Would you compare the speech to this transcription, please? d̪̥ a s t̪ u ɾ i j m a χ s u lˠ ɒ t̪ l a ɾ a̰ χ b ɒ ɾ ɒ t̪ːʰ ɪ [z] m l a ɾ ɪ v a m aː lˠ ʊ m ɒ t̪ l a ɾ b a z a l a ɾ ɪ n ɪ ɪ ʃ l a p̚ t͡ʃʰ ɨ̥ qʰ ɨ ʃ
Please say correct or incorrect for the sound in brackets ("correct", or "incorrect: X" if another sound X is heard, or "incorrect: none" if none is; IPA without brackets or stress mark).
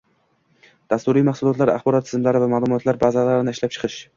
correct